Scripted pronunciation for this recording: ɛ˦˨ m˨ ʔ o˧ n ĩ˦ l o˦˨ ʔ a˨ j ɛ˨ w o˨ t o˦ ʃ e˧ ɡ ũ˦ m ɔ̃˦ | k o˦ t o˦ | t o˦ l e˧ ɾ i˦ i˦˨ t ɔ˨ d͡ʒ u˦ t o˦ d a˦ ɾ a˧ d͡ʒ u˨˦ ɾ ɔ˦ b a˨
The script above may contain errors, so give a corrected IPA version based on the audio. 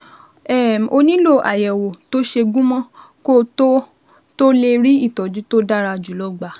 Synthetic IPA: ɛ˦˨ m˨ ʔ o˧ n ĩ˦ l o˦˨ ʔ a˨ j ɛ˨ w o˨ t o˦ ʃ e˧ ɡ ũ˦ m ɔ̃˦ | k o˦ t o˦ | t o˦ l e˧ ɾ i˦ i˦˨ t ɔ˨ d͡ʒ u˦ t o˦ d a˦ ɾ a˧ d͡ʒ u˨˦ l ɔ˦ ɡ͡b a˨